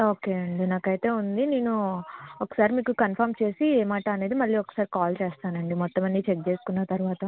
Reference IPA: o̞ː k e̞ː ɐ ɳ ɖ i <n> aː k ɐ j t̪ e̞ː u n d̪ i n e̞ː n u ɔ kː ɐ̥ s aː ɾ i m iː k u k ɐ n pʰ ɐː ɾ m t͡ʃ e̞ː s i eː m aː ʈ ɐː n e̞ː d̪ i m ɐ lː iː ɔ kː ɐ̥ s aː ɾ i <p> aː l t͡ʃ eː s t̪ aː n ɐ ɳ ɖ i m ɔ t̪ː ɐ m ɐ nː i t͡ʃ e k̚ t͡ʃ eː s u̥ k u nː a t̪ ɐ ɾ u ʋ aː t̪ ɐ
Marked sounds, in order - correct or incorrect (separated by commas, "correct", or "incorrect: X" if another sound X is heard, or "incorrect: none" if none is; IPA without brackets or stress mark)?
correct, incorrect: k